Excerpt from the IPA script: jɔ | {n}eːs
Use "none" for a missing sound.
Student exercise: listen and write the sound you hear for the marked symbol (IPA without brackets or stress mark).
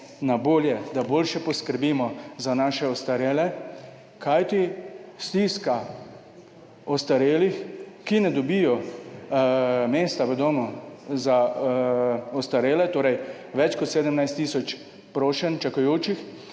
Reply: m